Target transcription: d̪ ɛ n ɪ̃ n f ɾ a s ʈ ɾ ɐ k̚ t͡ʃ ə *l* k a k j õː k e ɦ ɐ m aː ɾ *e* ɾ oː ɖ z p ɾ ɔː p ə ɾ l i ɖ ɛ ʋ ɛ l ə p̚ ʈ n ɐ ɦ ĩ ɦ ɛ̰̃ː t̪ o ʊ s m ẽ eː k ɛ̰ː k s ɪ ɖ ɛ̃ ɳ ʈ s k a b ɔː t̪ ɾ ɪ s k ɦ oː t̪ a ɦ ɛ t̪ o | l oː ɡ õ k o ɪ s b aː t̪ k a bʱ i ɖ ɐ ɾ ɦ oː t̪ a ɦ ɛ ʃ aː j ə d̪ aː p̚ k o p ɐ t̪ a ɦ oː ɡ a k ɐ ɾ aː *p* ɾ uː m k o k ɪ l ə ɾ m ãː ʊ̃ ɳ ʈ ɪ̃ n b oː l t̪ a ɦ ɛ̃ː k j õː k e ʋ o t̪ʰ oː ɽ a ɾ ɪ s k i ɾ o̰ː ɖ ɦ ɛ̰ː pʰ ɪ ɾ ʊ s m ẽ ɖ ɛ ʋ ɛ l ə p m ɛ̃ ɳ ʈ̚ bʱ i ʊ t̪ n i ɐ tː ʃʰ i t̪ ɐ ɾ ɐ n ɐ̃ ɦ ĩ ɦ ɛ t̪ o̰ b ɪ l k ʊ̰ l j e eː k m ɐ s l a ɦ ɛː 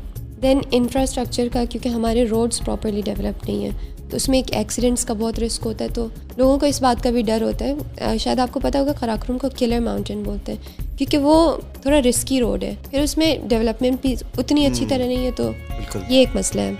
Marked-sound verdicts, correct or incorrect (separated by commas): incorrect, correct, incorrect